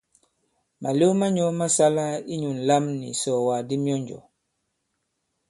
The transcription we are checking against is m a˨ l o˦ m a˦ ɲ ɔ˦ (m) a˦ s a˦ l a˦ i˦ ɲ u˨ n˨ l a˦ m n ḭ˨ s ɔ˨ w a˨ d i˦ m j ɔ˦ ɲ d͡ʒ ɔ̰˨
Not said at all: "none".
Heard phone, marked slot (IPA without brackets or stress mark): m